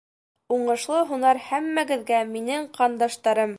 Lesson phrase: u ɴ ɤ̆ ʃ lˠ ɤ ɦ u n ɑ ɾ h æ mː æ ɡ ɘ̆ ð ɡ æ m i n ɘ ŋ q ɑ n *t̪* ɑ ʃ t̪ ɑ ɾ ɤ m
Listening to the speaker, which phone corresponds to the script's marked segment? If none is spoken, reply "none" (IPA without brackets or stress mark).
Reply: d̪